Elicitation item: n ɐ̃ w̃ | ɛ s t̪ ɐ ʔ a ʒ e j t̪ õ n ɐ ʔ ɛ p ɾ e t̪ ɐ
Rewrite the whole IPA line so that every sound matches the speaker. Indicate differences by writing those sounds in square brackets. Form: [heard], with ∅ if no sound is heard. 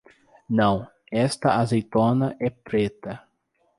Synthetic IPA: n ɐ̃ w̃ | ɛ s t̪ ɐ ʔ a [z] e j t̪ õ n ɐ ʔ ɛ p ɾ e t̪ ɐ